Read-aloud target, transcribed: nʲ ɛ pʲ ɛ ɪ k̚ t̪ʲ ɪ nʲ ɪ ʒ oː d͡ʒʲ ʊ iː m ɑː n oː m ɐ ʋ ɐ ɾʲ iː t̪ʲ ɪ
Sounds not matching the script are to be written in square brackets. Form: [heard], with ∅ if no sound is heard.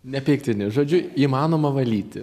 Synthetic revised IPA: nʲ ɛ pʲ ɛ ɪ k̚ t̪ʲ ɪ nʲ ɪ ʒ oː d͡ʒʲ ʊ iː m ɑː n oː m ɐ ʋ ɐ [lʲ] iː t̪ʲ ɪ

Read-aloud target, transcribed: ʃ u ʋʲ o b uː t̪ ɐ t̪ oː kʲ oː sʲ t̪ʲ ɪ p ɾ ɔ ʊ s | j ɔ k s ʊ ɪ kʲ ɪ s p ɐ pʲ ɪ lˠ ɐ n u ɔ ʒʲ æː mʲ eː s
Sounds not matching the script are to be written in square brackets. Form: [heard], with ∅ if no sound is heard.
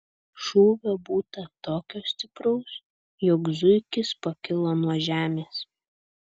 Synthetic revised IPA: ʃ [uː] ʋʲ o b uː t̪ ɐ t̪ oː kʲ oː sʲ t̪ʲ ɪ p ɾ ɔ ʊ s | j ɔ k [z] ʊ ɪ kʲ ɪ s p ɐ [kʲ] ɪ lˠ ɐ n u ɔ ʒʲ æː mʲ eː s

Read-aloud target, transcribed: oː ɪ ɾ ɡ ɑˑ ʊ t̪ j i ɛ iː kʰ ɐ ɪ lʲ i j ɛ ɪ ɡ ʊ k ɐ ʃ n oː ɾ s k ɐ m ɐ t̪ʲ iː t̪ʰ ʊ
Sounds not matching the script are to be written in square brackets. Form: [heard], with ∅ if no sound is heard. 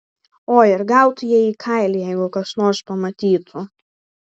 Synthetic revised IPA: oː ɪ ɾ ɡ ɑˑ ʊ t̪ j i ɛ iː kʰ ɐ ɪ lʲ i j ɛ ɪ ɡ ʊ k ɐ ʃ n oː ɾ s [p] ɐ m ɐ t̪ʲ iː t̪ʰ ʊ

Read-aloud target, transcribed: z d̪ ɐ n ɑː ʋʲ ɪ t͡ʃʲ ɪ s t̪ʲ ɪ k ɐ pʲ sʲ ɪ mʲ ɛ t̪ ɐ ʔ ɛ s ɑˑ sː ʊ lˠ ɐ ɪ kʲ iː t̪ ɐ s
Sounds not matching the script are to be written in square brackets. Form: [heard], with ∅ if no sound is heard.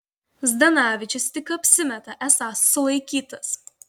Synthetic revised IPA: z d̪ ɐ n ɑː ʋʲ ɪ t͡ʃʲ ɪ s t̪ʲ ɪ k ɐ pʲ sʲ ɪ mʲ ɛ t̪ ɐ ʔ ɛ s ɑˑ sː ʊ lˠ ɐ ɪ kʲ iː t̪ ɐ s

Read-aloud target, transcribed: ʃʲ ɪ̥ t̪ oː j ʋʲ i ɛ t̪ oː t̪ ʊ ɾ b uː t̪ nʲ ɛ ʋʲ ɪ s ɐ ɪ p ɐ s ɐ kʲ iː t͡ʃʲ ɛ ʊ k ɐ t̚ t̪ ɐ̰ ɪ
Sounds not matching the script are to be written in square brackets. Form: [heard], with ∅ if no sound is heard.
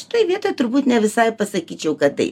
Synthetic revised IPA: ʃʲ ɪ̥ t̪ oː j ʋʲ i ɛ t̪ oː t̪ ʊ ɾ b uː t̪ nʲ ɛ ʋʲ ɪ s ɐ ɪ p ɐ s ɐ kʲ iː t͡ʃʲ ɛ ʊ k ɐ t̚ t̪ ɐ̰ ɪ

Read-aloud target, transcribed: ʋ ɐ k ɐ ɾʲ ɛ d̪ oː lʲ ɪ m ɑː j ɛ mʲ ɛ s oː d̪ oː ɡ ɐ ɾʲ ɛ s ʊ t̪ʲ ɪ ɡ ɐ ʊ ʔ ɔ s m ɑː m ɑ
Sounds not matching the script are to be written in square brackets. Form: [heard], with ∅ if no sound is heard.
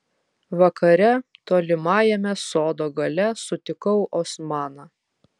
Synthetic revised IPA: ʋ ɐ k ɐ ɾʲ ɛ [t̪] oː lʲ ɪ m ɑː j ɛ mʲ ɛ s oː d̪ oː ɡ ɐ [lʲ] ɛ s ʊ t̪ʲ ɪ [k] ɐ ʊ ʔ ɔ s m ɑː [n] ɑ

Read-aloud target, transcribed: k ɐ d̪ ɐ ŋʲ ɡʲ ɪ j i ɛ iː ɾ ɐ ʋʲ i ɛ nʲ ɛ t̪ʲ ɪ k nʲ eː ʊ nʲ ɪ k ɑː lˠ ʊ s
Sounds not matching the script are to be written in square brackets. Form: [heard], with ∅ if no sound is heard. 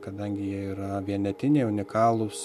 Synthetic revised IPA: k ɐ d̪ ɐ ŋʲ ɡʲ ɪ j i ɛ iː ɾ ɐ ʋʲ i ɛ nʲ ɛ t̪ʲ ɪ [∅] nʲ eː ʊ nʲ ɪ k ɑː lˠ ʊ s

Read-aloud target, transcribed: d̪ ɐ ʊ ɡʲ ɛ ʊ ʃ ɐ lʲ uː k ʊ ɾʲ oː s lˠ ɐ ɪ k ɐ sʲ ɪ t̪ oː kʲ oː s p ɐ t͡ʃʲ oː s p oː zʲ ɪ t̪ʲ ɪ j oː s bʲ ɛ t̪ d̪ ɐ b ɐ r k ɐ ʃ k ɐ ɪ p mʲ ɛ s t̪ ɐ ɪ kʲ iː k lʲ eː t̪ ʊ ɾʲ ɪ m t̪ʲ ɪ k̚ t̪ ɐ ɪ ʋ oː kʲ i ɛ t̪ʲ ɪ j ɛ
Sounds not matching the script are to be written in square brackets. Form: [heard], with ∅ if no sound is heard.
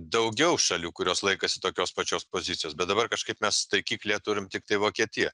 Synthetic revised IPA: d̪ ɐ ʊ ɡʲ ɛ ʊ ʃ ɐ lʲ uː k ʊ ɾʲ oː s lˠ ɐ ɪ k ɐ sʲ ɪ t̪ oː kʲ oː s p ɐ t͡ʃʲ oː s p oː zʲ ɪ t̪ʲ ɪ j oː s bʲ ɛ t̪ d̪ ɐ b ɐ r k ɐ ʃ k ɐ ɪ p mʲ ɛ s t̪ ɐ ɪ kʲ iː k lʲ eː t̪ ʊ ɾʲ ɪ m t̪ʲ ɪ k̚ t̪ ɐ ɪ ʋ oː kʲ i ɛ t̪ʲ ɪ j ɛ

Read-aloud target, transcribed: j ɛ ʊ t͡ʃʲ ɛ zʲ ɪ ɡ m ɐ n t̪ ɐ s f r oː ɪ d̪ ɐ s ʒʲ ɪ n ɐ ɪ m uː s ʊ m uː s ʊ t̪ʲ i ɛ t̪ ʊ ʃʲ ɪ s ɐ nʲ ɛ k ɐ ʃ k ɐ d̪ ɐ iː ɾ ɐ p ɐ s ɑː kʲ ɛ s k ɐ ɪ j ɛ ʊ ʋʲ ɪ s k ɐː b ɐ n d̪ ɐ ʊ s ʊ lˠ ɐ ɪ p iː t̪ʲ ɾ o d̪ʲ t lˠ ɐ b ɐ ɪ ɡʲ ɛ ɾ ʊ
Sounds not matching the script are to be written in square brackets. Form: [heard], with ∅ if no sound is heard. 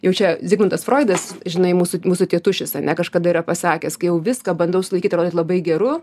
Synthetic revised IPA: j ɛ ʊ t͡ʃʲ ɛ zʲ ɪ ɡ m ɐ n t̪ ɐ s f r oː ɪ d̪ ɐ s ʒʲ ɪ n ɐ ɪ m uː s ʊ m uː s ʊ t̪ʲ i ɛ t̪ ʊ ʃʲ ɪ s ɐ nʲ ɛ k ɐ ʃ k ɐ d̪ ɐ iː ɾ ɐ p ɐ s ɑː kʲ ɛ s k ɐ ɪ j ɛ ʊ ʋʲ ɪ s k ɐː b ɐ n d̪ ɐ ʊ s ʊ lˠ ɐ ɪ [k] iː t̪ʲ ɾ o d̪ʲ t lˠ ɐ b ɐ ɪ ɡʲ ɛ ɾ ʊ

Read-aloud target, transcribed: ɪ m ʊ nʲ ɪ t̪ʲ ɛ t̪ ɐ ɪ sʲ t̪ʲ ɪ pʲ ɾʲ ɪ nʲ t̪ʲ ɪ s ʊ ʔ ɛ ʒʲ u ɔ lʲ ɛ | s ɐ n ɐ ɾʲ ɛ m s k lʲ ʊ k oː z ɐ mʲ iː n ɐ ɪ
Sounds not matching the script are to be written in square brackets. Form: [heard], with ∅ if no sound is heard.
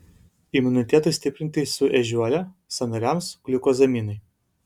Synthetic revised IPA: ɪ m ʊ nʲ ɪ t̪ʲ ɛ t̪ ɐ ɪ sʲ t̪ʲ ɪ pʲ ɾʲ ɪ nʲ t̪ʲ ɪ s ʊ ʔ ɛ ʒʲ u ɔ lʲ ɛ | s ɐ n ɐ ɾʲ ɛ m s k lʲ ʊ k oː z ɐ mʲ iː n ɐ ɪ

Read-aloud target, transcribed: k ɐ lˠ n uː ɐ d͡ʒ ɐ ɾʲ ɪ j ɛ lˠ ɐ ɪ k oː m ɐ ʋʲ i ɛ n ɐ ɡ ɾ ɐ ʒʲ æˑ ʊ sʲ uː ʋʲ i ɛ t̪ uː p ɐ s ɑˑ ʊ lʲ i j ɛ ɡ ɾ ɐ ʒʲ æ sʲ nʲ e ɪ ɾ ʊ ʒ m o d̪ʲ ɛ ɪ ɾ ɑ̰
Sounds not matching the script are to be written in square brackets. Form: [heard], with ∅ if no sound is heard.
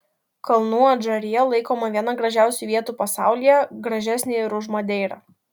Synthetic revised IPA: k ɐ lˠ n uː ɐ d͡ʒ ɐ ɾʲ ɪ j ɛ lˠ ɐ ɪ k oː m ɐ ʋʲ i ɛ n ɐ ɡ ɾ ɐ ʒʲ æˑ ʊ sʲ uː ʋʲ i ɛ t̪ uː p ɐ s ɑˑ ʊ lʲ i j ɛ ɡ ɾ ɐ ʒʲ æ sʲ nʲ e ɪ ɾ ʊ ʒ m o d̪ʲ ɛ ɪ ɾ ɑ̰

